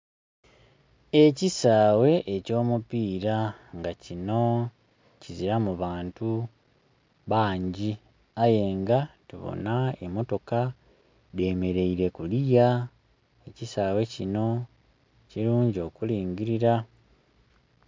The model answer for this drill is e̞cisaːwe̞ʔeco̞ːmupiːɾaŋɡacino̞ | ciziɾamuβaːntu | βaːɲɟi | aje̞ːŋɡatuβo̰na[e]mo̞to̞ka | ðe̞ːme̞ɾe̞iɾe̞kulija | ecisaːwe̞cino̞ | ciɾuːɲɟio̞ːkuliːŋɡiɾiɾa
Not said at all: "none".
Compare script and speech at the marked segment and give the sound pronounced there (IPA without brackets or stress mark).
e